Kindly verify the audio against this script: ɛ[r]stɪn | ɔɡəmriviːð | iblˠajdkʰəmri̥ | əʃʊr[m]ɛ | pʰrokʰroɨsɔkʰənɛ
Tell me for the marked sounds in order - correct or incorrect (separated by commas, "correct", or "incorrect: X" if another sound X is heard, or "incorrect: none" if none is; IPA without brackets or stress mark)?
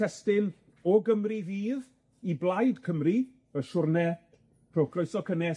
incorrect: none, incorrect: n